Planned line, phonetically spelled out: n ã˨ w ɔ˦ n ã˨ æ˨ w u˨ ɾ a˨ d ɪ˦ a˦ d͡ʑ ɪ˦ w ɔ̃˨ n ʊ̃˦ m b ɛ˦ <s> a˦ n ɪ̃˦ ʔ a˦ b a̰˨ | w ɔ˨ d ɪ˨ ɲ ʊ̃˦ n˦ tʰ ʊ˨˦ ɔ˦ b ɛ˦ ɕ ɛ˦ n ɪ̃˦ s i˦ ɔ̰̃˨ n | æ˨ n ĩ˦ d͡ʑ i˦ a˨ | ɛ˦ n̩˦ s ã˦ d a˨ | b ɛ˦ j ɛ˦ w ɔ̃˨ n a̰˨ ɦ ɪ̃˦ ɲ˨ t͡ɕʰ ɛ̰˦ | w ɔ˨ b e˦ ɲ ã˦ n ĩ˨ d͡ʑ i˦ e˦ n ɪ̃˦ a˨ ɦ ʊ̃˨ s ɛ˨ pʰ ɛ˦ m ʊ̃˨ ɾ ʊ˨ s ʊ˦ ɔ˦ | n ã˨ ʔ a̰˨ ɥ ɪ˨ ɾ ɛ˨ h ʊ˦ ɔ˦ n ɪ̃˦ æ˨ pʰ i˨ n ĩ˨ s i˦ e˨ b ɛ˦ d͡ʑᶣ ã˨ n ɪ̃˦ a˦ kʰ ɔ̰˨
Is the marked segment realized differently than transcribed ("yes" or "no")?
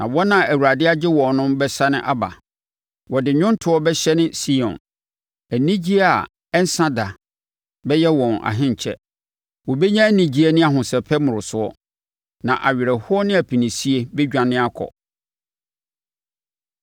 no